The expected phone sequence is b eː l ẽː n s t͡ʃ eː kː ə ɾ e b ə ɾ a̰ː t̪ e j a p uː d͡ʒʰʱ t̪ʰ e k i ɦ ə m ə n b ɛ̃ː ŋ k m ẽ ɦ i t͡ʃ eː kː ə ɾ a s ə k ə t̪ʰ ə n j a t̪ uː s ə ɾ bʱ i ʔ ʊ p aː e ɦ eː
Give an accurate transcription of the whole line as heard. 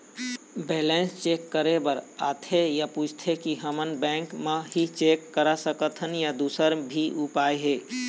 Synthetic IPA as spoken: b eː l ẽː n s t͡ʃ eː kː ə ɾ e b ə ɾ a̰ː t̪ʰ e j a p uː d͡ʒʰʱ t̪ʰ e k i ɦ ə m ə n b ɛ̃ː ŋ k m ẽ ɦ i t͡ʃ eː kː ə ɾ a s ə k ə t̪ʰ ə n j a d̪ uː s ə ɾ bʱ i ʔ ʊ p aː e ɦ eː